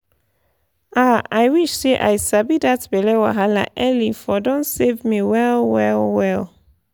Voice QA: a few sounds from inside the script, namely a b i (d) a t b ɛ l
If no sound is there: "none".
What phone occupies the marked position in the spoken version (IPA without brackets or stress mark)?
d